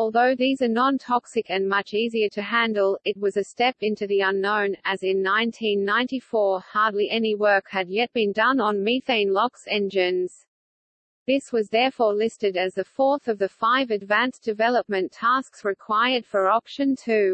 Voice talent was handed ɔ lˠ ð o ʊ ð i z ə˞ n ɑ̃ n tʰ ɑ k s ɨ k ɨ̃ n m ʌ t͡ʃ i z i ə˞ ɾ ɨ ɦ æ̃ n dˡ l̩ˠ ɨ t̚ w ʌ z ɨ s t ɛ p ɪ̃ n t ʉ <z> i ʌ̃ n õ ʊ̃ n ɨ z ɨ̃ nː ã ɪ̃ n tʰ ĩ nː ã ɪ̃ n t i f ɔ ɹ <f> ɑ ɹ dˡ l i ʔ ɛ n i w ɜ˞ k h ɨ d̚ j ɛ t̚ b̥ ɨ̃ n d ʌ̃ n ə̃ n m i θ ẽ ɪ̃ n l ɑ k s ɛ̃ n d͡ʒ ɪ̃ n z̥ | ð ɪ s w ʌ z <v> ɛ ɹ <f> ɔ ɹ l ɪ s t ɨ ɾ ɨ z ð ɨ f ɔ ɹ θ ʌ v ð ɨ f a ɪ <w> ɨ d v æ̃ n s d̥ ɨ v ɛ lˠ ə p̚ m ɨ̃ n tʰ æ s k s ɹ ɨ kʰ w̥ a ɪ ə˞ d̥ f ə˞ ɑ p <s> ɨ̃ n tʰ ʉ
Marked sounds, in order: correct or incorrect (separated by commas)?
incorrect, incorrect, incorrect, correct, incorrect, incorrect